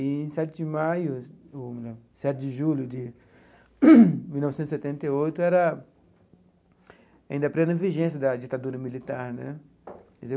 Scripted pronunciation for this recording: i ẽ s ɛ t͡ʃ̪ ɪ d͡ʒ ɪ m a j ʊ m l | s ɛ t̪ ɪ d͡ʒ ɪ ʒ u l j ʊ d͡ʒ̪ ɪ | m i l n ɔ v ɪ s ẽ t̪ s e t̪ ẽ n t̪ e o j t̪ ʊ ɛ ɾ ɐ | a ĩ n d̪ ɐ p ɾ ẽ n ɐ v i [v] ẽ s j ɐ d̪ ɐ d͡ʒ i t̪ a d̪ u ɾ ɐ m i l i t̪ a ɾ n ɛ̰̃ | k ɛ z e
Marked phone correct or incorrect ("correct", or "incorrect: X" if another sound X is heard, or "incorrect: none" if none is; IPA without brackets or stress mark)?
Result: incorrect: ʒ